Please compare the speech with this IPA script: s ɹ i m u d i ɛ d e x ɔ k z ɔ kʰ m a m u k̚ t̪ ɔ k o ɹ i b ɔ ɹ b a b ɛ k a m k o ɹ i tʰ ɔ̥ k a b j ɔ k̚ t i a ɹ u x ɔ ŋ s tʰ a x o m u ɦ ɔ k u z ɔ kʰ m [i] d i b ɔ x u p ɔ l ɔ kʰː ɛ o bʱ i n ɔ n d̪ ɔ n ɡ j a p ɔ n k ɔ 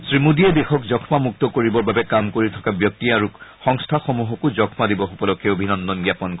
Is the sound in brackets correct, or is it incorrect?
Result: incorrect